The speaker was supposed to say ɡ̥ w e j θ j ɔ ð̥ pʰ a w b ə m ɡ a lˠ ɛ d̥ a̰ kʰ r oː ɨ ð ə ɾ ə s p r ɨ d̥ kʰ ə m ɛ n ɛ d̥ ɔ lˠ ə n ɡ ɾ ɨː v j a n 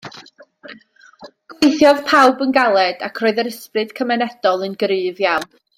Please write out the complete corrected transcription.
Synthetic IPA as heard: ɡ̥ w e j θ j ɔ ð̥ pʰ a w b ə n ɡ a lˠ ɛ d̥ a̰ kʰ r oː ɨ ð ə ɾ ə s p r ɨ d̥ kʰ ə m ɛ n ɛ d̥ ɔ lˠ ə n ɡ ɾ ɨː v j a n

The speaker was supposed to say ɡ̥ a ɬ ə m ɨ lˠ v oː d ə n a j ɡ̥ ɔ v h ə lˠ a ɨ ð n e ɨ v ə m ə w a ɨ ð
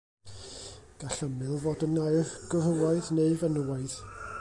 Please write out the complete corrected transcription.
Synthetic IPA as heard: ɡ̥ a ɬ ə m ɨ lˠ v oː d ə n a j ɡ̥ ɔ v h ə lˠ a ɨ ð n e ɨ v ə n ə w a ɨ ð

